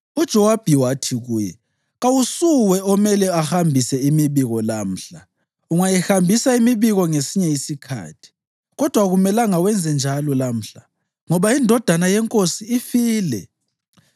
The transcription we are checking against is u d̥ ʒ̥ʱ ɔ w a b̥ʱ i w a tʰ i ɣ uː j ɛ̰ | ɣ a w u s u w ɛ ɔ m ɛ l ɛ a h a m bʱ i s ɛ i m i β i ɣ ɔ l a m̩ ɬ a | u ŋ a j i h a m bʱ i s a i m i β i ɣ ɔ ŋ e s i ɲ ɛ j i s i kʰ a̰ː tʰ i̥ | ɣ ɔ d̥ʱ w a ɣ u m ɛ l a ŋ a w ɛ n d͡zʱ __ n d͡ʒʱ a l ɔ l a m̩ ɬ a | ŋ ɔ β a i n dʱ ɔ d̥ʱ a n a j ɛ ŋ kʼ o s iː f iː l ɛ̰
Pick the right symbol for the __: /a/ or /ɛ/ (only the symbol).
ɛ